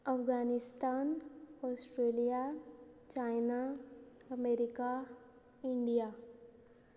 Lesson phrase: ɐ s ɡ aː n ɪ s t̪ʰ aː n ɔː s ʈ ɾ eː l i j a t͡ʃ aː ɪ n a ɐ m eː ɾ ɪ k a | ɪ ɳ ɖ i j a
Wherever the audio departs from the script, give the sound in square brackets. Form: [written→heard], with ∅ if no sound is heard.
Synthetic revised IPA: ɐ [s→f] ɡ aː n ɪ s [t̪ʰ→t̪] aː n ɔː s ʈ ɾ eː l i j a t͡ʃ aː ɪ n a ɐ m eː ɾ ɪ k a | ɪ ɳ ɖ i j a